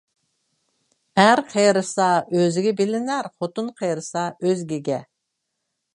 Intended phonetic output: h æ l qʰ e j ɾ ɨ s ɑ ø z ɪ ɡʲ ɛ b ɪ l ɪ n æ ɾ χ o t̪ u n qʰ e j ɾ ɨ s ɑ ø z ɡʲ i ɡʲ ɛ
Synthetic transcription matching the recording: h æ ɾ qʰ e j ɾ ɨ s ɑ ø z ɪ ɡʲ ɛ b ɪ l ɪ n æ ɾ χ o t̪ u n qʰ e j ɾ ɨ s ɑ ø z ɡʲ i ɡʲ ɛ